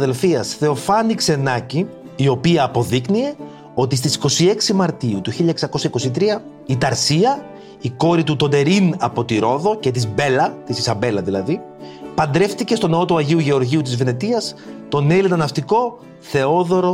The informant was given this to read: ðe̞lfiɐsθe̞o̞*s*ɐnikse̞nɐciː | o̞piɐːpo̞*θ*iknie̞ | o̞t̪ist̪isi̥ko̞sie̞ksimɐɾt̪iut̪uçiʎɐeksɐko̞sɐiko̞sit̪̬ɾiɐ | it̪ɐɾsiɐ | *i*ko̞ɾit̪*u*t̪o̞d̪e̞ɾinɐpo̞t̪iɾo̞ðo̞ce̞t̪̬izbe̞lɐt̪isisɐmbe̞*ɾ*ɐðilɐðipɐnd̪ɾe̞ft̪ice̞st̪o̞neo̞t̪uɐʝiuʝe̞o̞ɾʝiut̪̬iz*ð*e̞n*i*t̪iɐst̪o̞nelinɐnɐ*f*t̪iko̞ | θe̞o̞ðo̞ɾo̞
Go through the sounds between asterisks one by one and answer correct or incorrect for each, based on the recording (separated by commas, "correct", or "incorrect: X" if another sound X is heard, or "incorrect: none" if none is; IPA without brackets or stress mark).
incorrect: f, incorrect: ð, correct, correct, incorrect: l, incorrect: v, incorrect: e, correct